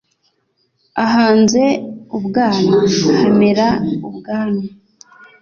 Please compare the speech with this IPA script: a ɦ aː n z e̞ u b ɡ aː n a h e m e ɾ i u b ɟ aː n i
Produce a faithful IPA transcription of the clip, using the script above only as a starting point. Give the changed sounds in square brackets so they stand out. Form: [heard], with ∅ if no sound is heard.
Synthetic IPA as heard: a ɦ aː n z e̞ u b ɡ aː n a h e m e ɾ [a] u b [ɡ] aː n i